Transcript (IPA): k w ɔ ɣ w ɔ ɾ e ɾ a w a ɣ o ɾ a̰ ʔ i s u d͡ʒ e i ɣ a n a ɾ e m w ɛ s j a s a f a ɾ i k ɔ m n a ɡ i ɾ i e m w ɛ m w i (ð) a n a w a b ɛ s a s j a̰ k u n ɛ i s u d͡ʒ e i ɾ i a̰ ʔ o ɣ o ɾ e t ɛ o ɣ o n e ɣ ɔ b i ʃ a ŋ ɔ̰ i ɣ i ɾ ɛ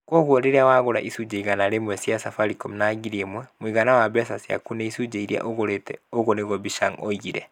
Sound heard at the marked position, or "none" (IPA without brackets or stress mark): ɣ